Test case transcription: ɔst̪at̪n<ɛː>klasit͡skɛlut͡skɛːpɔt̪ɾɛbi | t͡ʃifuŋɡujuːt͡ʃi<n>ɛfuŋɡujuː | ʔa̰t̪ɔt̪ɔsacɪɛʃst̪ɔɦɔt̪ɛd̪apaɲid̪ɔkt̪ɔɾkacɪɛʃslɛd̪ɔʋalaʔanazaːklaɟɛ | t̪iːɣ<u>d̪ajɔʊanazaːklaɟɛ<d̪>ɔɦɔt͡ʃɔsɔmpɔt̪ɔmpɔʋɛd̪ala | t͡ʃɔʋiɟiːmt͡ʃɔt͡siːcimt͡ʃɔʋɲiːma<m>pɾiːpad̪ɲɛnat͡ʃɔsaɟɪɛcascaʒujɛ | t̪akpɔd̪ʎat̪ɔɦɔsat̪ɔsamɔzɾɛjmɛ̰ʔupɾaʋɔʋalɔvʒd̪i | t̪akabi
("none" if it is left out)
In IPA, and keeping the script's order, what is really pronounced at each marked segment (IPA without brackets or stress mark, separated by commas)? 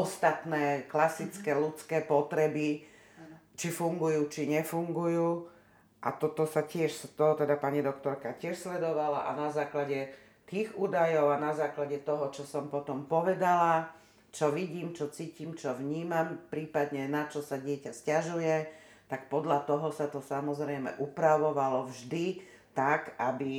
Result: ɛː, ɲ, uː, t̪, m